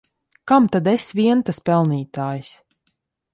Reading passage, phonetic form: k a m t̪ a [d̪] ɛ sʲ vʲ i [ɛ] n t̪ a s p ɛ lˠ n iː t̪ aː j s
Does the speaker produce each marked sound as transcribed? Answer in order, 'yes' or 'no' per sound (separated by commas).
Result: yes, yes